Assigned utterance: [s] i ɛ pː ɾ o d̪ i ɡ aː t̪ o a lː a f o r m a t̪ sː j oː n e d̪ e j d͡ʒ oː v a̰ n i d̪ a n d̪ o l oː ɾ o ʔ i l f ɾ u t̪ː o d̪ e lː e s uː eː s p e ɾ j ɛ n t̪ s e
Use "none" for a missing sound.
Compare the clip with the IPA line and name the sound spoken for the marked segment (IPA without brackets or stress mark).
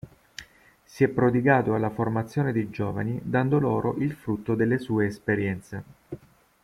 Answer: s